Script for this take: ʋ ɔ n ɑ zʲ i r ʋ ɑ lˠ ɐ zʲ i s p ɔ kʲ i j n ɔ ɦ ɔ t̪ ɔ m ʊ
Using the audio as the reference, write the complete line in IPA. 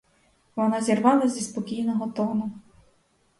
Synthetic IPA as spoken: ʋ ɔ n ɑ zʲ i r ʋ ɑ lˠ ɐ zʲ i s p ɔ kʲ i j n ɔ ɦ ɔ t̪ ɔ n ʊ